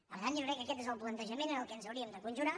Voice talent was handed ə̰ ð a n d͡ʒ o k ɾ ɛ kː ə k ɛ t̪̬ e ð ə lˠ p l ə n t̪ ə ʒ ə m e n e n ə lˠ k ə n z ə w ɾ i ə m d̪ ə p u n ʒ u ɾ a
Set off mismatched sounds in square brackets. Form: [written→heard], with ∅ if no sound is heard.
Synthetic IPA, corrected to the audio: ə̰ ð a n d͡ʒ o k ɾ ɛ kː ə k ɛ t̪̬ e [ð→z] ə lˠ p l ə n t̪ ə ʒ ə m e n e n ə lˠ k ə n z ə w ɾ i ə m d̪ ə [p→k] u n ʒ u ɾ a

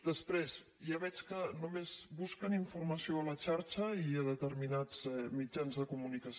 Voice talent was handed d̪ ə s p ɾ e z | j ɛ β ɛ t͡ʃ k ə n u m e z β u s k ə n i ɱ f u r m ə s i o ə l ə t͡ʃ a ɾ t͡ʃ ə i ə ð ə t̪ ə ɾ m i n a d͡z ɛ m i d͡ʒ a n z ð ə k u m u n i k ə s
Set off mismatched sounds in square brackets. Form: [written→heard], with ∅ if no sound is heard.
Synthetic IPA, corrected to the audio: d̪ ə s p ɾ e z | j [ɛ→a] β ɛ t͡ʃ k ə n u m e z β u s k ə n i ɱ f u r m ə s i o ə l ə t͡ʃ a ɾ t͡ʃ ə i ə ð ə t̪ ə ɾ m i n a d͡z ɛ m i d͡ʒ a n z ð ə k u m u n i k ə s

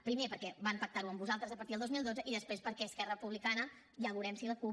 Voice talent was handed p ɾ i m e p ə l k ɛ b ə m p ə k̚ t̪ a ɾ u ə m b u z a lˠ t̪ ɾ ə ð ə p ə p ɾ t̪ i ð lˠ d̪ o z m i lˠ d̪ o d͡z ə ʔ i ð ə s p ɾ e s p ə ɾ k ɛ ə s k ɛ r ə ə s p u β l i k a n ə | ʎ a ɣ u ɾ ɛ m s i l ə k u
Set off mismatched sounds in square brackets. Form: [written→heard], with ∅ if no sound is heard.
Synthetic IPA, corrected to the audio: p ɾ i m e p ə [l→ɾ] k ɛ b [ə→a] m p ə k̚ t̪ a ɾ u ə m b u z a lˠ t̪ ɾ ə [ð→z] ə p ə [p→∅] ɾ t̪ i ð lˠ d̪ o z m i lˠ d̪ o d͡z ə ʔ i ð ə s p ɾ e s p ə ɾ k ɛ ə s k ɛ r ə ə [s→∅] p u β l i k a n ə | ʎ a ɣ u ɾ ɛ m s i l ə k u

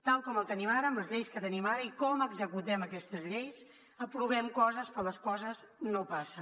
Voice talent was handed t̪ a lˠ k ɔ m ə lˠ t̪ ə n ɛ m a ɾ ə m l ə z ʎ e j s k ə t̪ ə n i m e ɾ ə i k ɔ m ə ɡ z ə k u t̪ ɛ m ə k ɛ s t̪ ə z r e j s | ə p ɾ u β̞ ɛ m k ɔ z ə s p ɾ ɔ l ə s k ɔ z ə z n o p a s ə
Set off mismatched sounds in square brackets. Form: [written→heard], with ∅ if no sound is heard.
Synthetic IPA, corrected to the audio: t̪ a lˠ k ɔ m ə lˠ t̪ ə n [ɛ→i] m a ɾ ə m l ə z ʎ e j s k ə t̪ ə n i m [e→a] ɾ ə i k ɔ m ə ɡ z ə k u t̪ ɛ m ə k ɛ s t̪ ə z [r→ʎ] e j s | ə p ɾ u β̞ ɛ m k ɔ z ə s p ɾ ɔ l ə s k ɔ z ə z n o p a s ə

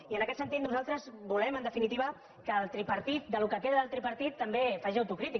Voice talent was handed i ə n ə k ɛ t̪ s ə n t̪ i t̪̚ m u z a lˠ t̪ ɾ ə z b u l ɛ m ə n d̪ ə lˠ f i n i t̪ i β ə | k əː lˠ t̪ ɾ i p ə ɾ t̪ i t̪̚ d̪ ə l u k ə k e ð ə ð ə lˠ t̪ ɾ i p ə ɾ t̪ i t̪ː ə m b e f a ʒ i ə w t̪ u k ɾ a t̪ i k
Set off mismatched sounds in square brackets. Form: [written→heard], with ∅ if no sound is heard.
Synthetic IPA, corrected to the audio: i ə n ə k ɛ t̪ s ə n t̪ i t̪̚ [m→n] u z a lˠ t̪ ɾ ə z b u l ɛ m ə n d̪ ə [lˠ→∅] f i n i t̪ i β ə | k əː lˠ t̪ ɾ i p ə ɾ t̪ i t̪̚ d̪ ə l u k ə k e ð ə ð ə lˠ t̪ ɾ i p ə ɾ t̪ i t̪ː ə m b e f a ʒ i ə w t̪ u k ɾ [a→i] t̪ i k

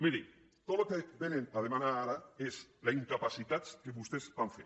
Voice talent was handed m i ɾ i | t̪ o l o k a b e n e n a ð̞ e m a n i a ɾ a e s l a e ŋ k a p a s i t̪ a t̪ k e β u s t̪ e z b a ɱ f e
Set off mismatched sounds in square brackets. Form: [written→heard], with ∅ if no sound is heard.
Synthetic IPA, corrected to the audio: m i ɾ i | t̪ o l o k [a→e] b e n e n a ð̞ e m a n [i→a] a ɾ a e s l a [e→i] ŋ k a p a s i t̪ a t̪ k e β u s t̪ e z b a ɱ f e

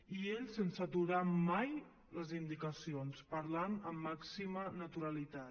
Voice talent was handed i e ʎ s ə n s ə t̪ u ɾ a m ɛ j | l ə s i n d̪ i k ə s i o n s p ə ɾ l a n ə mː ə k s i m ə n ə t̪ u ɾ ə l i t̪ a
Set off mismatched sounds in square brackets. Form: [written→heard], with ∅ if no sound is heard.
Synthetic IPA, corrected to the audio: i e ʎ s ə n s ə t̪ u ɾ a m [ɛ→a] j | l ə [s→z] i n d̪ i k ə s i o n s p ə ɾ l a n ə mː [ə→a] k s i m ə n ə t̪ u ɾ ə l i t̪ a

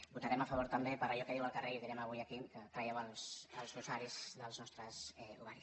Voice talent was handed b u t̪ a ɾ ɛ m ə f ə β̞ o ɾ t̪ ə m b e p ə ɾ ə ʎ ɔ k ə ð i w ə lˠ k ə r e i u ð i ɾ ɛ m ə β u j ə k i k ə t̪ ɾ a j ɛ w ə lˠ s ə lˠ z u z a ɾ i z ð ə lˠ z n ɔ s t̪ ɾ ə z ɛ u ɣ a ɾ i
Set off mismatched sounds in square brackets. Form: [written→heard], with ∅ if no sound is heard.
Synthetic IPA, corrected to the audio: b u t̪ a ɾ ɛ m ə f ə β̞ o ɾ t̪ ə m b e p ə ɾ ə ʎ ɔ k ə ð i w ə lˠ k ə r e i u ð i ɾ ɛ m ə β u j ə k i k ə t̪ ɾ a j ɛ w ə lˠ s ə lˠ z u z a ɾ i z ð ə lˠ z n ɔ s t̪ ɾ ə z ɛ u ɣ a ɾ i

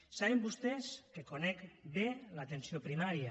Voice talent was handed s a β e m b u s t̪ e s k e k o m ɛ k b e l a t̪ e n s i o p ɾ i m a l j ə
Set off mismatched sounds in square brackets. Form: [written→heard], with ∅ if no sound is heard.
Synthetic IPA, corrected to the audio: s a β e m b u s t̪ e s k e k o [m→n] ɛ k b e l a t̪ e n s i o p ɾ i m a [l→ɾ] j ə

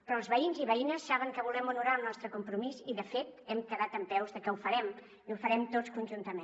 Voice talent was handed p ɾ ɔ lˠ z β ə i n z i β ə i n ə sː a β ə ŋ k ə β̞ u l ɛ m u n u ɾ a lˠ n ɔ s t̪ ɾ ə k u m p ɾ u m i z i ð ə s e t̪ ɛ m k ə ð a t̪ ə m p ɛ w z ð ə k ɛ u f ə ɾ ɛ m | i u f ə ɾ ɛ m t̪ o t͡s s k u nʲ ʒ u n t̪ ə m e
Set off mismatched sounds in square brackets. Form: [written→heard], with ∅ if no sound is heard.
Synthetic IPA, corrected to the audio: p ɾ ɔ lˠ z β ə i n z i β ə i n ə sː a β ə ŋ k ə β̞ u l ɛ m u n u ɾ a lˠ n ɔ s t̪ ɾ ə k u m p ɾ u m i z i ð ə [s→f] e t̪ ɛ m k ə ð a t̪ ə m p ɛ w z ð ə k ɛ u f ə ɾ ɛ m | i u f ə ɾ ɛ m t̪ o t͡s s k u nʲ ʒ u n t̪ ə m e

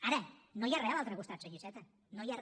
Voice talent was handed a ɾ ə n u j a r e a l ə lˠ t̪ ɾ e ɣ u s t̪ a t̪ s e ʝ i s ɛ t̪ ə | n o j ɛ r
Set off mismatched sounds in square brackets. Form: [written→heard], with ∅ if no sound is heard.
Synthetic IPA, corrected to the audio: a ɾ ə n [u→o] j a r e a l [ə→a] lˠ t̪ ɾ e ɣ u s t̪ a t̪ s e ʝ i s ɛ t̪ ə | n o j [ɛ→a] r

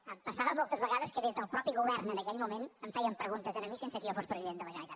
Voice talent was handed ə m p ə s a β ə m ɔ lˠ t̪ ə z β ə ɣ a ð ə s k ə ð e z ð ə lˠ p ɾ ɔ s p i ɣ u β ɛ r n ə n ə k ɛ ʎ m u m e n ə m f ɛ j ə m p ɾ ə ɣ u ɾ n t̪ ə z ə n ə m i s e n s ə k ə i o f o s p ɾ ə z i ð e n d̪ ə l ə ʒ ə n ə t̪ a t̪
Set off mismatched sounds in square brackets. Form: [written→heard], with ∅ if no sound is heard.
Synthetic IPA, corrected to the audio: ə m p ə s a β ə m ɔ lˠ t̪ ə z β ə ɣ a ð ə s k ə ð e z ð ə lˠ p ɾ ɔ [s→∅] p i ɣ u β ɛ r n ə n ə k ɛ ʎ m u m e n ə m f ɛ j ə m p ɾ ə ɣ u [ɾ→∅] n t̪ ə z ə n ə m i s e n s ə k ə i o f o s p ɾ ə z i ð e n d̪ ə l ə ʒ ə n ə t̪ a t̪

